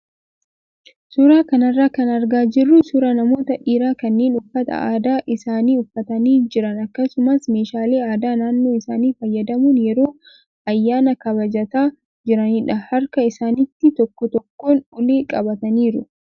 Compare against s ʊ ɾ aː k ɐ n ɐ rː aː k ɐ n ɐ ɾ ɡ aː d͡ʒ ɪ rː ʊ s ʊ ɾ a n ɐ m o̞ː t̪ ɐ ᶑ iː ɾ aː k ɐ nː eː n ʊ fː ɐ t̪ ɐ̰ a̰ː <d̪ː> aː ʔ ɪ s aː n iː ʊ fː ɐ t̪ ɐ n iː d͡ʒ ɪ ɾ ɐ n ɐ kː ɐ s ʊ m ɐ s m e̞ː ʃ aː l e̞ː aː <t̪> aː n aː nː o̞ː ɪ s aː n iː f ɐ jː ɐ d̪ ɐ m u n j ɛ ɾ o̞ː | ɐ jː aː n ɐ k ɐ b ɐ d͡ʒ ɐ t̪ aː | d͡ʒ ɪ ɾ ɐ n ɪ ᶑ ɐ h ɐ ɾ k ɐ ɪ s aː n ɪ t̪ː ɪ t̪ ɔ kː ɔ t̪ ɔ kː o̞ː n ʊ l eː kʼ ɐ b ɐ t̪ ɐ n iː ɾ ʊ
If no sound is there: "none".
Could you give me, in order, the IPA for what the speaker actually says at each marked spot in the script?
d̪, d̪

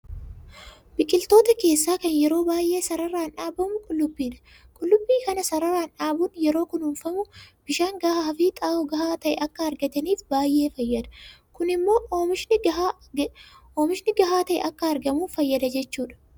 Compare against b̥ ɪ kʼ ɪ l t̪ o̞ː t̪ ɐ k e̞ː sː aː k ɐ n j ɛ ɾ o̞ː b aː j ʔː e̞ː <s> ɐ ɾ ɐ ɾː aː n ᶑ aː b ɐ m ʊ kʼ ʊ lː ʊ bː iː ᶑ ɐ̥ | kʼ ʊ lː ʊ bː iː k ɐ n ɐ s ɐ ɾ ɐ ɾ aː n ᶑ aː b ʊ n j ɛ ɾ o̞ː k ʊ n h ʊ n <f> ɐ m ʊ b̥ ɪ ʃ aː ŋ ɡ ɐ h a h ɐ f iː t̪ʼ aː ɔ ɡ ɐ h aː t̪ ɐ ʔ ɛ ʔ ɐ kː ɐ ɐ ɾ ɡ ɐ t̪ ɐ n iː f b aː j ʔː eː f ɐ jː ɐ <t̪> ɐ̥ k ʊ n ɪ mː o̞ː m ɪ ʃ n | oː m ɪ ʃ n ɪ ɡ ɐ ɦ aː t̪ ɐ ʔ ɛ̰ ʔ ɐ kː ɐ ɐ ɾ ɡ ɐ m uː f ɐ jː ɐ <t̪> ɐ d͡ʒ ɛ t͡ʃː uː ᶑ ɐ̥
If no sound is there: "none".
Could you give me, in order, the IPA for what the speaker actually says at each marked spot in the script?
s, f, d̪, d̪

